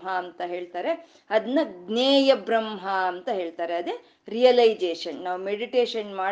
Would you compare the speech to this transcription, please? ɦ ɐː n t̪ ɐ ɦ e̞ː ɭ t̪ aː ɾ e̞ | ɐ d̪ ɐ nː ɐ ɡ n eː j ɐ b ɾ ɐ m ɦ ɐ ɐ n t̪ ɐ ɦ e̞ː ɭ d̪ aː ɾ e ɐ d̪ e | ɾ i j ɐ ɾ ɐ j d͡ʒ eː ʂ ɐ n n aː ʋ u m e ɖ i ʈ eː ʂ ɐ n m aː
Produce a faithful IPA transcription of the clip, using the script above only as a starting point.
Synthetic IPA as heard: ɦ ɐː n t̪ ɐ ɦ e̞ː ɭ t̪ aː ɾ e̞ | ɐ d̪ ɐ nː ɐ ɡ n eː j ɐ b ɾ ɐ m ɦ ɐ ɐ n t̪ ɐ ɦ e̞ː ɭ t̪ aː ɾ e ɐ d̪ e | ɾ i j ɐ l ɐ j d͡ʒ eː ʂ ɐ n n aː ʋ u m e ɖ i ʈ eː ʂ ɐ n m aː